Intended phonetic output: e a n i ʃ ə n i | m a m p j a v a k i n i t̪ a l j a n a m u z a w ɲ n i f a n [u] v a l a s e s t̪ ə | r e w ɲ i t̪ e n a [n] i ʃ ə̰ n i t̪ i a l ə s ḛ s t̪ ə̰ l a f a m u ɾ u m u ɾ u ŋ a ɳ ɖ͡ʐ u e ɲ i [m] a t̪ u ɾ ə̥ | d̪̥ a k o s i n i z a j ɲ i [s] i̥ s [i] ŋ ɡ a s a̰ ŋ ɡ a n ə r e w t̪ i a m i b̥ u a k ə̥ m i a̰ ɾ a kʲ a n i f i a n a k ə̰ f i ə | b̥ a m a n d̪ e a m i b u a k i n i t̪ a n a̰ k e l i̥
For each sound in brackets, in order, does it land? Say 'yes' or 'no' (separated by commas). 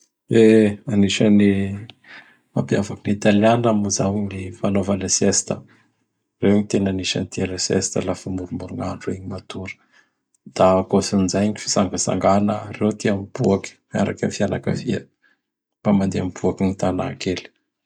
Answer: no, yes, yes, no, no